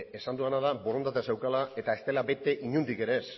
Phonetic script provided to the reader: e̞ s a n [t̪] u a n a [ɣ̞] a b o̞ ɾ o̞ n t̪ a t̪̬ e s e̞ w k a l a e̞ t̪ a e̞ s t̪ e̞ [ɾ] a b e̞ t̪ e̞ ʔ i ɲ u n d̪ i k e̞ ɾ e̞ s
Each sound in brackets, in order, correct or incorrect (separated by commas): incorrect, incorrect, incorrect